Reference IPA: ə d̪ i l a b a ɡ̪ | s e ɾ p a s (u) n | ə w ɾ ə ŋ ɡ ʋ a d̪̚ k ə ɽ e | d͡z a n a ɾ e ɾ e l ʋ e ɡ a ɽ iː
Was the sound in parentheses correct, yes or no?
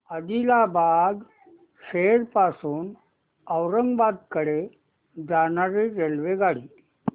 no